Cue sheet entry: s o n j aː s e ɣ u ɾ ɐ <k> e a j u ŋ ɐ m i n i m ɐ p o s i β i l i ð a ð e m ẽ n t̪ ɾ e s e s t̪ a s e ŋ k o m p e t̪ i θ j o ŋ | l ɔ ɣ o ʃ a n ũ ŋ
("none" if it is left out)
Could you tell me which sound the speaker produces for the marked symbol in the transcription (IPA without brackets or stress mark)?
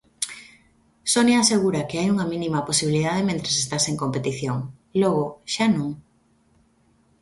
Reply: k